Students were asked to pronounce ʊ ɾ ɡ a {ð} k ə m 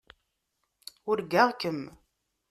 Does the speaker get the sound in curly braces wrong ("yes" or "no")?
yes